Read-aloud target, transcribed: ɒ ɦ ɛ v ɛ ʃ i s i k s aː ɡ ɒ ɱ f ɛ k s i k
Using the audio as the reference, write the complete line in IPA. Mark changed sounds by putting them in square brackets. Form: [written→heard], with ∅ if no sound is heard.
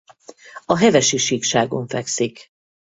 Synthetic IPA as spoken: ɒ ɦ ɛ v ɛ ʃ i [s→ʃ] i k [s→ʃ] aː ɡ [ɒ→o] ɱ f ɛ k s i k